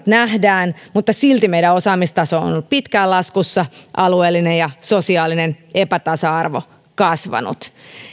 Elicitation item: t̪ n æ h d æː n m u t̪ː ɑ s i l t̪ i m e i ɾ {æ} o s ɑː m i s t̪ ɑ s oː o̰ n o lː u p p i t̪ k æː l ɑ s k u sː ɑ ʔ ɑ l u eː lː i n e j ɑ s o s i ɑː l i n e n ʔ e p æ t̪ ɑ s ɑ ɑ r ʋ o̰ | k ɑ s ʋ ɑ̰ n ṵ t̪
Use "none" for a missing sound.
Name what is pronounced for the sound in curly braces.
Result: æ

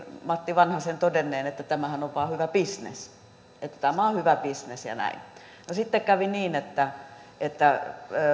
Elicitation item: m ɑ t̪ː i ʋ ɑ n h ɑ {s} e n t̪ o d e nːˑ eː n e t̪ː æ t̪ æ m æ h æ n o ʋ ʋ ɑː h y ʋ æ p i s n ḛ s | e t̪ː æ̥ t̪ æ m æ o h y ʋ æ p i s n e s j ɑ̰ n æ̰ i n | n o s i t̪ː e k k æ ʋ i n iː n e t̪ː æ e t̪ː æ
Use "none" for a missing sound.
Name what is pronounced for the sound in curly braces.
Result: s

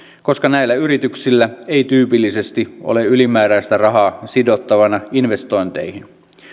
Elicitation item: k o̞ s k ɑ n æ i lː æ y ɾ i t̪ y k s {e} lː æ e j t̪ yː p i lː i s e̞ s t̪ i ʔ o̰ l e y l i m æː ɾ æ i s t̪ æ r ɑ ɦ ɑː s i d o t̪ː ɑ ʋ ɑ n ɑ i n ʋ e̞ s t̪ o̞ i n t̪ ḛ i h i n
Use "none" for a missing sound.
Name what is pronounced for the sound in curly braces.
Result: i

